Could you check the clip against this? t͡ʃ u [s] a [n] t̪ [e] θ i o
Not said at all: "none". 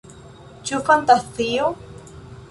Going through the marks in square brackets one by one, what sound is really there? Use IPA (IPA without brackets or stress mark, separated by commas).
f, n, a